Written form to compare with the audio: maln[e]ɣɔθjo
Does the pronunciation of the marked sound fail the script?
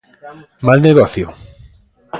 no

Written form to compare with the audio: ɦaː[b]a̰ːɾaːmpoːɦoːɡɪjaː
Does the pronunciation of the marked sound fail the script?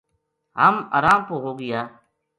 yes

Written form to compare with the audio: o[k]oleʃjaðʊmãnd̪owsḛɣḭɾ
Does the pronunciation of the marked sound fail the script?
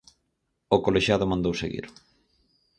no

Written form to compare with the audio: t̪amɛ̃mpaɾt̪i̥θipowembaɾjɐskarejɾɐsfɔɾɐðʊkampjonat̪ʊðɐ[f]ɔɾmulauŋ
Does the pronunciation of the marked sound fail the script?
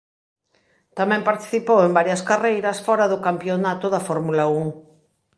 no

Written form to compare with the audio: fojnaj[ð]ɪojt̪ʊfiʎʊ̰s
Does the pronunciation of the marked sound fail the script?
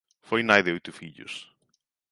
no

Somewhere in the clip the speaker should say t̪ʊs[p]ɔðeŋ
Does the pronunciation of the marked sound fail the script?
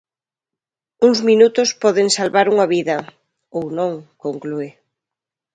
no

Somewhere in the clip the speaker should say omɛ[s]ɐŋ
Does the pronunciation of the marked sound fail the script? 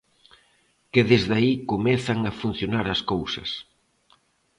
yes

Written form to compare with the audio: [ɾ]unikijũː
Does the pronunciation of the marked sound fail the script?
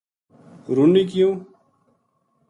no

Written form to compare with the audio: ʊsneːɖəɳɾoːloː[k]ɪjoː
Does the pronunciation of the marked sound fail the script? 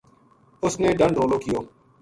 no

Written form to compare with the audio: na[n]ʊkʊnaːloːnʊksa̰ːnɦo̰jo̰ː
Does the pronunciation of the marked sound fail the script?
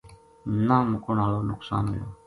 yes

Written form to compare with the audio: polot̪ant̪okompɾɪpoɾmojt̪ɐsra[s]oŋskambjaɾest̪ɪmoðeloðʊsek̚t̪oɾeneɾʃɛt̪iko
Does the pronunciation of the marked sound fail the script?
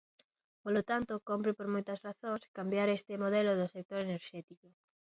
yes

